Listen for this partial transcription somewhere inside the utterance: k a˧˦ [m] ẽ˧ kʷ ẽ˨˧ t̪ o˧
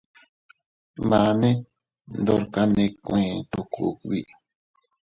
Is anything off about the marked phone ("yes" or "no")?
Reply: yes